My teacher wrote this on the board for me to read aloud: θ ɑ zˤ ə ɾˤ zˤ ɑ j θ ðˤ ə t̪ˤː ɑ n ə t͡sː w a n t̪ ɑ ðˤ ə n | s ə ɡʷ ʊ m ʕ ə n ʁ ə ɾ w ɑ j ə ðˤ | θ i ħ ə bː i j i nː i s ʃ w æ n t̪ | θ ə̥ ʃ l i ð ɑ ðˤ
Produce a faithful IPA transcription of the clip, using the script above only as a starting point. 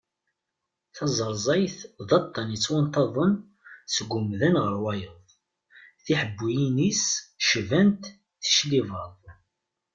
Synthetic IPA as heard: θ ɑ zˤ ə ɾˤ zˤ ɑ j θ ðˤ ɑ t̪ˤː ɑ n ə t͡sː w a n t̪ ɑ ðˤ ə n | s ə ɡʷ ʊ m ð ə n ʁ ə ɾ w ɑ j ə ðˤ | θ i ħ ə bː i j i n i s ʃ v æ n t̪ | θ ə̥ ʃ l i v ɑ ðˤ